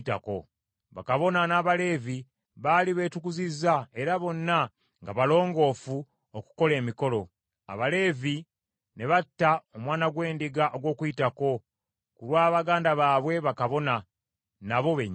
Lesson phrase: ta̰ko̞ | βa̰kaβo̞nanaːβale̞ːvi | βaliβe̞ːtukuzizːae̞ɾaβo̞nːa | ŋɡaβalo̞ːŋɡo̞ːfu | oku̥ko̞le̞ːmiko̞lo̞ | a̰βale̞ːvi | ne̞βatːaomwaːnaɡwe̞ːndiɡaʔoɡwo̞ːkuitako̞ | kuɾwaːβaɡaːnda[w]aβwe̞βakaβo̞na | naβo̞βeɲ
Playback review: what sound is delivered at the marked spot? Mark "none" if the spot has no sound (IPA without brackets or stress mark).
β